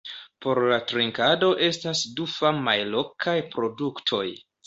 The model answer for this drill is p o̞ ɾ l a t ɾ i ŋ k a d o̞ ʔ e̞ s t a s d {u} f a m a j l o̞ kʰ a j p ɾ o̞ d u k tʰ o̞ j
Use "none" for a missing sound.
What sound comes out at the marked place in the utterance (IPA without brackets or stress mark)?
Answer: u